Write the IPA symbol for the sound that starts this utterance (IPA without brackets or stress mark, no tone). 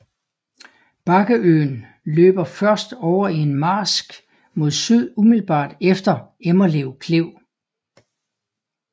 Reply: b̥